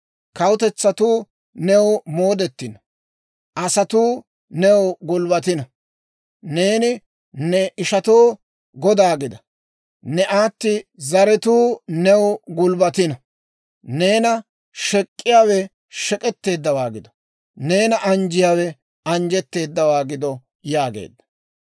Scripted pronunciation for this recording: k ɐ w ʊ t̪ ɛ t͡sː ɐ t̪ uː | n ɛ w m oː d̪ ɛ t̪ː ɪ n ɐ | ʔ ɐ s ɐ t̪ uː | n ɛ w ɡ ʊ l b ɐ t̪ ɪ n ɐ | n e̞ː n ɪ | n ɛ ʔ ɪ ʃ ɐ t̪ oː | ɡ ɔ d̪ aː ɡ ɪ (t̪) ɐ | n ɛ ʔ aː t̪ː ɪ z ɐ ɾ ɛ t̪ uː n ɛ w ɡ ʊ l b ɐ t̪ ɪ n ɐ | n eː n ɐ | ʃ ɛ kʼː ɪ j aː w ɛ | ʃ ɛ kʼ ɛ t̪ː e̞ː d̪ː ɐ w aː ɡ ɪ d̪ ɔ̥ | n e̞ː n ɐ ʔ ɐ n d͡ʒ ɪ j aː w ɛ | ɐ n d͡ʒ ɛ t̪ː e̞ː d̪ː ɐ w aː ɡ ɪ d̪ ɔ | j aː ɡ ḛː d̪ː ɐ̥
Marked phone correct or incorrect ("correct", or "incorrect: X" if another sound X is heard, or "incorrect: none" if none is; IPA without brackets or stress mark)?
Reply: incorrect: d̪